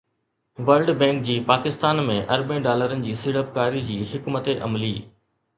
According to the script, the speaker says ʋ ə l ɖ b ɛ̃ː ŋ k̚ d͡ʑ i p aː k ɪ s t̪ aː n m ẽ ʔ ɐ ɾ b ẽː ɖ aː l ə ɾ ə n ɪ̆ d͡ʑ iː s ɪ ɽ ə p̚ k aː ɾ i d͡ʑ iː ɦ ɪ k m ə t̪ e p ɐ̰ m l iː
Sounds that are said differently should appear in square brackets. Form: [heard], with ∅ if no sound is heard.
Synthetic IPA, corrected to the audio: ʋ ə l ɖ b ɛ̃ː ŋ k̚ d͡ʑ [iː] p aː k ɪ s t̪ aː n m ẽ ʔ ɐ ɾ b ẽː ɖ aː l ə ɾ ə n ɪ̆ d͡ʑ iː s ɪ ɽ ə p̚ k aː ɾ i d͡ʑ iː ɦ ɪ k m ə t̪ e [ʔ] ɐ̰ m l iː